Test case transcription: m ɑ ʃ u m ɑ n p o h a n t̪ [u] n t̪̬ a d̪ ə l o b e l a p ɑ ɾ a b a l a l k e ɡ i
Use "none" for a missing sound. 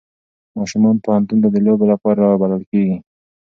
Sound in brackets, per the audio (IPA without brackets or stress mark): u